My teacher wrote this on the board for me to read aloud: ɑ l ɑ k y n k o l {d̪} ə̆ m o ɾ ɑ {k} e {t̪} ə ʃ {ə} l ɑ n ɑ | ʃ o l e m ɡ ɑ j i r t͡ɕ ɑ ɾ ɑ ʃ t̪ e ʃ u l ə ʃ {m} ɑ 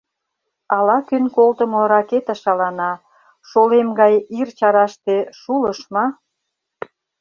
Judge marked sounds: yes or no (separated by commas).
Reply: no, yes, yes, no, yes